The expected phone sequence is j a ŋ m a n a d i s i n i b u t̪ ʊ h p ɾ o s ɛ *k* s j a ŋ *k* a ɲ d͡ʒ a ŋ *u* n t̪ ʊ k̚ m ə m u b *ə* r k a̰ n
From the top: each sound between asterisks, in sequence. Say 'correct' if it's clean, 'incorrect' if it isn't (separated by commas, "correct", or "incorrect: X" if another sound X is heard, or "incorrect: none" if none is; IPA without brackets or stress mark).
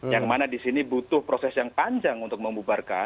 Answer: incorrect: none, incorrect: p, correct, incorrect: a